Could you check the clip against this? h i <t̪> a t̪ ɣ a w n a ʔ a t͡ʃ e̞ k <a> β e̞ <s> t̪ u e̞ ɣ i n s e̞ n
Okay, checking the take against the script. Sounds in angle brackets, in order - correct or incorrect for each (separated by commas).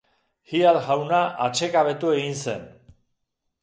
incorrect, correct, incorrect